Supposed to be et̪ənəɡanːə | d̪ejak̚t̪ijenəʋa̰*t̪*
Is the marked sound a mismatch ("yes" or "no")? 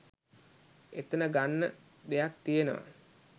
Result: yes